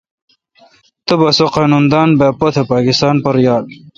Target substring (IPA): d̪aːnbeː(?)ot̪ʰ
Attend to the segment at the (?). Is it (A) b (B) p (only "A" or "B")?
B